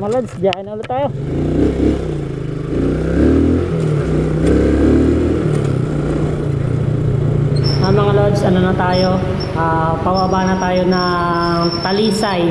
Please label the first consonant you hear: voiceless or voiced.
voiced